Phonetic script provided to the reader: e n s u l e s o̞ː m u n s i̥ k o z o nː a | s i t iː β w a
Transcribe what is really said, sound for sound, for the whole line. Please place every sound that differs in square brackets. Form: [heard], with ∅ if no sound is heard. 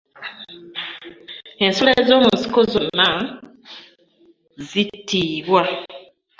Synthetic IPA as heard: e n s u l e [z] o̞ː m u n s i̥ k o z o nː a | [z] i t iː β w a